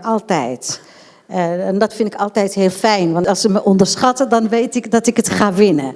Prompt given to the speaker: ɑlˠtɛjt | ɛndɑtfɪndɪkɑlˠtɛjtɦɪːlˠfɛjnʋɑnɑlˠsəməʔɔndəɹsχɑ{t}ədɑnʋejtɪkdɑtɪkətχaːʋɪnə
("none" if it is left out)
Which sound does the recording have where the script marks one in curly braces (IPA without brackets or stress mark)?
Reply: t